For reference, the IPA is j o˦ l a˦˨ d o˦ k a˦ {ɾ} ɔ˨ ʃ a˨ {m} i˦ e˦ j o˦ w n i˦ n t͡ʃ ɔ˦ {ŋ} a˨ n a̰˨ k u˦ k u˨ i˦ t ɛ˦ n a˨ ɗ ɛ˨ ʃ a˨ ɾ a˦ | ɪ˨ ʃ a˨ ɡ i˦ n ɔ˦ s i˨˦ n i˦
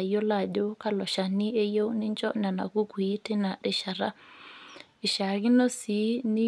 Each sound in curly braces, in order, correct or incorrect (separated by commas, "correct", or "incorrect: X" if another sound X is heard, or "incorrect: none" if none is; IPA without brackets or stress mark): incorrect: l, incorrect: n, incorrect: n